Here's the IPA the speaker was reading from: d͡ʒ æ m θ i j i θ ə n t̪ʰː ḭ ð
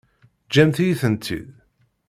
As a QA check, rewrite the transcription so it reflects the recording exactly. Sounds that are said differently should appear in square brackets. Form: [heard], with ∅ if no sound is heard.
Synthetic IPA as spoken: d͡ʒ æ m θ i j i θ ə n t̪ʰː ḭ ð